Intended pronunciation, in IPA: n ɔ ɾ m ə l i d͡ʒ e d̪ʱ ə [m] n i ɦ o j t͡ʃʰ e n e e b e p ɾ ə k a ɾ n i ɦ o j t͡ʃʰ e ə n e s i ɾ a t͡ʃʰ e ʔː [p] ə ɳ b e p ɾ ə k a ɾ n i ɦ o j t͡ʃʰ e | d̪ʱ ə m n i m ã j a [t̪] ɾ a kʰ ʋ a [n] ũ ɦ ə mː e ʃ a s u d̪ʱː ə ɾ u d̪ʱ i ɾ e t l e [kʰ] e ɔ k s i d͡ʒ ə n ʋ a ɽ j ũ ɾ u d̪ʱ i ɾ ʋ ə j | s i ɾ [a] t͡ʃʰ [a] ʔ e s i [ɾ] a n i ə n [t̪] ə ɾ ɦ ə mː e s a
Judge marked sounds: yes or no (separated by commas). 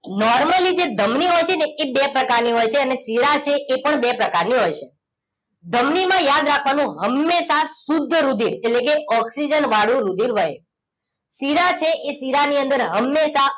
yes, yes, no, yes, no, yes, no, yes, no